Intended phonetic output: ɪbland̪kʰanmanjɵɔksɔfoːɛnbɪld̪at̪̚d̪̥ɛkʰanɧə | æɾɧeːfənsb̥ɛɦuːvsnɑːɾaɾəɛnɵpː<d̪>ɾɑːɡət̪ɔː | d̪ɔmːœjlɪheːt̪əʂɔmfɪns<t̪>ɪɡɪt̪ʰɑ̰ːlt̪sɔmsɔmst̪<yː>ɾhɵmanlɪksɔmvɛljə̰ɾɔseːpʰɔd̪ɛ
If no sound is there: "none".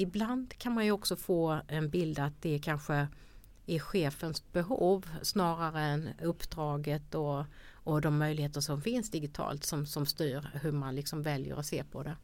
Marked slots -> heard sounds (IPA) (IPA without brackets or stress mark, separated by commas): d̪, d̪, yː